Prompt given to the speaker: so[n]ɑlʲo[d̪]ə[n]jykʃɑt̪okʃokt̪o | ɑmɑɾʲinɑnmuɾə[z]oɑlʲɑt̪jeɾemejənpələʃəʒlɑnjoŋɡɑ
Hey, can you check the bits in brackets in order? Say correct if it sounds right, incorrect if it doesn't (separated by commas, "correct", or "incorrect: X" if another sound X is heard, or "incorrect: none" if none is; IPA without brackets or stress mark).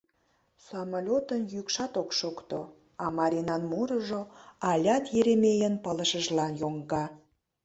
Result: incorrect: m, incorrect: t̪, correct, incorrect: ʒ